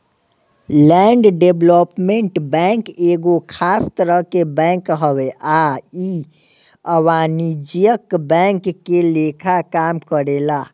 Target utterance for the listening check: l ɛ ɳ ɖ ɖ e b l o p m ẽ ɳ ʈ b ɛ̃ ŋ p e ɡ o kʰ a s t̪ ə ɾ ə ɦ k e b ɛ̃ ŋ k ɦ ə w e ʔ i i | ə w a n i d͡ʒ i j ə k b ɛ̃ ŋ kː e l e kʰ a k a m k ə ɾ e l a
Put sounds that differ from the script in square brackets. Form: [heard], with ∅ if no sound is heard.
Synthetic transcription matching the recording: l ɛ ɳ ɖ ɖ e b l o p m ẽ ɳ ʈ b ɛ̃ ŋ [k] e ɡ o kʰ a s t̪ ə ɾ ə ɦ k e b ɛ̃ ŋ k ɦ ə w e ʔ [a] i | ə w a n i d͡ʒ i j ə k b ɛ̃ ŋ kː e l e kʰ a k a m k ə ɾ e l a

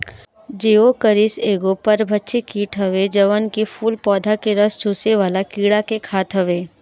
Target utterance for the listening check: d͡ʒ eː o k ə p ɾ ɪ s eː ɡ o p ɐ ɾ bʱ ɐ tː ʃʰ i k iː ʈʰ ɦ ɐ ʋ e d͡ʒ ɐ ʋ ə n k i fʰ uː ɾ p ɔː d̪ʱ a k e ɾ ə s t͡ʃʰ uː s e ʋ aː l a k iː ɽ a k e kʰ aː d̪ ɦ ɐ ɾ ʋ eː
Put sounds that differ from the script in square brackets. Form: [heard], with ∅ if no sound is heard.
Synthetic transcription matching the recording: d͡ʒ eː o k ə [∅] ɾ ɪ s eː ɡ o p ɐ ɾ bʱ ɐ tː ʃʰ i k iː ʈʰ ɦ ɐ ʋ e d͡ʒ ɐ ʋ ə n k i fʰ uː [l] p ɔː d̪ʱ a k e ɾ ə s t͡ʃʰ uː s e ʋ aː l a k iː ɽ a k e kʰ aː [t̪] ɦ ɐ [∅] ʋ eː

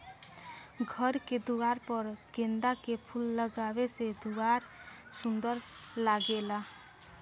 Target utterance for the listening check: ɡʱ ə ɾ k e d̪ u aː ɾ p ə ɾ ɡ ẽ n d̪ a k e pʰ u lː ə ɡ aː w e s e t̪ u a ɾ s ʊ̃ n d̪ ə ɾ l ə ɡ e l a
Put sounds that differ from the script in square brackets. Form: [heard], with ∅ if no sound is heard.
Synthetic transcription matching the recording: ɡʱ ə ɾ k e d̪ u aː ɾ p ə ɾ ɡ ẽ n d̪ a k e pʰ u lː ə ɡ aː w e s e [d̪] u a ɾ s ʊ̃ n d̪ ə ɾ l [a] ɡ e l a

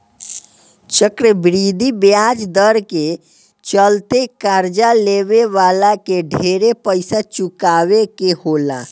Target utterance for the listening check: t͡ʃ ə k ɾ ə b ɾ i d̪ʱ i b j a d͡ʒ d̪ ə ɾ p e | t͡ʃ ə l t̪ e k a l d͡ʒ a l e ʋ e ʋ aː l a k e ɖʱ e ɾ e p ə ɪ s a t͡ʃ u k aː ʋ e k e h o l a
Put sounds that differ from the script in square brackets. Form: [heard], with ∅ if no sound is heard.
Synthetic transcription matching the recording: t͡ʃ ə k ɾ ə b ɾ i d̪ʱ i b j a d͡ʒ d̪ ə ɾ [k] e | t͡ʃ ə l t̪ e k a [ɾ] d͡ʒ a l e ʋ e ʋ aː l a k e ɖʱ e ɾ e p ə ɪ s a t͡ʃ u k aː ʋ e k e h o l a

